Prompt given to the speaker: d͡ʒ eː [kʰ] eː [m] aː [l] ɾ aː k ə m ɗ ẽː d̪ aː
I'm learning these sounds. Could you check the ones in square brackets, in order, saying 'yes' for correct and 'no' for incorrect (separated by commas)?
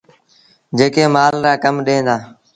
no, yes, yes